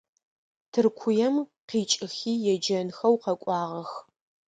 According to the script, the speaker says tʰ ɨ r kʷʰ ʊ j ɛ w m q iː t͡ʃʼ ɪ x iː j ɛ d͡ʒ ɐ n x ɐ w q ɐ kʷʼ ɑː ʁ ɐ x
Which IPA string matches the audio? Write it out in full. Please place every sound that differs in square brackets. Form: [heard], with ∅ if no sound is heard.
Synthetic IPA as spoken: tʰ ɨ r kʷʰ ʊ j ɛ [∅] m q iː t͡ʃʼ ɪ x iː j ɛ d͡ʒ ɐ n x ɐ w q ɐ kʷʼ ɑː ʁ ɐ x